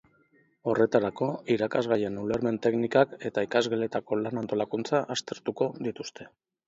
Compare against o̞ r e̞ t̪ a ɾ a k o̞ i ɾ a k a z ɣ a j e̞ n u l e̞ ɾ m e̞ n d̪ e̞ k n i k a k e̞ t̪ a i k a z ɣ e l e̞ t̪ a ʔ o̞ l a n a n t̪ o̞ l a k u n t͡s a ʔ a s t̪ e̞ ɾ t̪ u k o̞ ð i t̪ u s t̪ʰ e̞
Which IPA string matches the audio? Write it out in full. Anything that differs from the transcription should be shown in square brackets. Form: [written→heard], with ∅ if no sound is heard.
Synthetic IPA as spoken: o̞ r e̞ t̪ a ɾ a k o̞ i ɾ a k a z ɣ a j e̞ n u l e̞ ɾ m e̞ n [d̪→t̪] e̞ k n i k a k e̞ t̪ a i k a z ɣ e l e̞ t̪ a [ʔ→k] o̞ l a n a n t̪ o̞ l a k u n t͡s a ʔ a s t̪ e̞ ɾ t̪ u k o̞ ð i t̪ u s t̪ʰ e̞